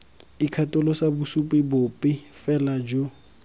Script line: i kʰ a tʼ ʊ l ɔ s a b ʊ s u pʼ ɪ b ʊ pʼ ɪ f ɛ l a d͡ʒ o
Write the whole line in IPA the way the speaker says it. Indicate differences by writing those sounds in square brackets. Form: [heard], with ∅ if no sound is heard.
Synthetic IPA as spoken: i kʰ a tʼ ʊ l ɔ s a b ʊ s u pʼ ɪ b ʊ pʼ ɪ f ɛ l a d͡ʒ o